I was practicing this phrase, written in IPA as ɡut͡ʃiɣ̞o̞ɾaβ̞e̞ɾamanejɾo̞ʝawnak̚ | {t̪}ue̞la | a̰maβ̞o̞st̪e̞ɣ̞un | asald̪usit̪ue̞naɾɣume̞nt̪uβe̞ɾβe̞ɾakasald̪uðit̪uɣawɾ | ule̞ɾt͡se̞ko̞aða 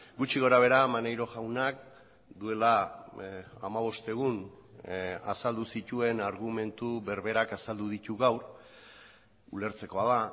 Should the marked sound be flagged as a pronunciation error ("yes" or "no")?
yes